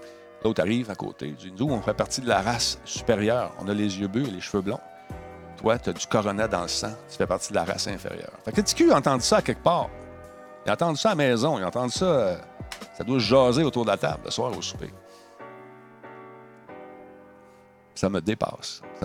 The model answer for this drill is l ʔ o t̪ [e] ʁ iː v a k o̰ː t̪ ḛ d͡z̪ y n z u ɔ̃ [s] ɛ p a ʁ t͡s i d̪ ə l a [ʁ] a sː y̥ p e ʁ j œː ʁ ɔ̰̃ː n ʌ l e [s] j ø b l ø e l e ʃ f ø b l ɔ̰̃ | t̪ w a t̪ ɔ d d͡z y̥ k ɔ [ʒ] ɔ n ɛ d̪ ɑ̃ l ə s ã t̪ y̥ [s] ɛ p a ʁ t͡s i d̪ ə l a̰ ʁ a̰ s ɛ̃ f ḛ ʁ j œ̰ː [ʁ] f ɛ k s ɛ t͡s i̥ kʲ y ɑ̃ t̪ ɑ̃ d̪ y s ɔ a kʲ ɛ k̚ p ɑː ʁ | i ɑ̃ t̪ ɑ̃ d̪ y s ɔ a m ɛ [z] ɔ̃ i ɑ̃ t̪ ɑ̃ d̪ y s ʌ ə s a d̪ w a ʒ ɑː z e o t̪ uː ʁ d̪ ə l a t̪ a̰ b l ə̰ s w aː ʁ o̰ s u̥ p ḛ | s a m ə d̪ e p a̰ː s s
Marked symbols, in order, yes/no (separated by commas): no, no, yes, no, no, no, yes, yes